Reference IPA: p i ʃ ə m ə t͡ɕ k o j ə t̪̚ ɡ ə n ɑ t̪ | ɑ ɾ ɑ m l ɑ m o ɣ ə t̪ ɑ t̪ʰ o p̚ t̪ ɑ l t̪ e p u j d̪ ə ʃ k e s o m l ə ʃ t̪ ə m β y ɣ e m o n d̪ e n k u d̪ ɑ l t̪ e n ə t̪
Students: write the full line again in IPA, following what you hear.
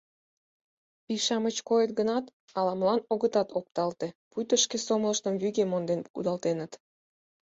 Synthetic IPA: p i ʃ ɑ m ə t͡ɕ k o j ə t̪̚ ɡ ə n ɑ t̪ | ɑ l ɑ m l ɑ n o ɣ ə t̪ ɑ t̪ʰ o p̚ t̪ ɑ l t̪ e p u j t̪ ə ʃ k e s o m l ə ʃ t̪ ə m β y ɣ e m o n d̪ e n k u d̪ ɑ l t̪ e n ə t̪